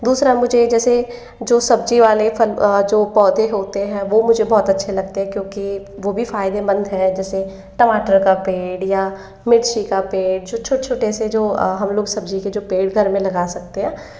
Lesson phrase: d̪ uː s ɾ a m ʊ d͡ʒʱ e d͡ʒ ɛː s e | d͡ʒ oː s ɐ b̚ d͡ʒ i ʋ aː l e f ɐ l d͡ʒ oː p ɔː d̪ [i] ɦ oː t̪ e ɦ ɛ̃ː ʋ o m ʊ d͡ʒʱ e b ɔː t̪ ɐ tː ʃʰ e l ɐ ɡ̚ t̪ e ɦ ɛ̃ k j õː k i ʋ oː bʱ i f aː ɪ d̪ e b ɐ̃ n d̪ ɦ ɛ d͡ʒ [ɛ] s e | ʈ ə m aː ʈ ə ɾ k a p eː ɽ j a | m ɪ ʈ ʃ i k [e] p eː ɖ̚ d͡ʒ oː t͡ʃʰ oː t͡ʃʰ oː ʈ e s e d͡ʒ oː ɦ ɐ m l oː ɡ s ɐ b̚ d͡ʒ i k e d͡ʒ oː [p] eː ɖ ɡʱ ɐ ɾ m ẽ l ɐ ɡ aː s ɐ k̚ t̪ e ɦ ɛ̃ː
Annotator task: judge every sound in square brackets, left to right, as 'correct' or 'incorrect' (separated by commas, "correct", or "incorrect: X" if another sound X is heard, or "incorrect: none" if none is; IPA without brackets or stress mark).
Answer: incorrect: e, incorrect: ɛː, incorrect: a, correct